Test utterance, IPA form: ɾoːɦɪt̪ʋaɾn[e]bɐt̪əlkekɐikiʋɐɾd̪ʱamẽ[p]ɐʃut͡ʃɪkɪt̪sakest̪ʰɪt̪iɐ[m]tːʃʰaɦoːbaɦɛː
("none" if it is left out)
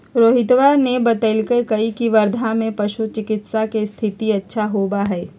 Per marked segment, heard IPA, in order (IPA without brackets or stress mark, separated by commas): e, p, none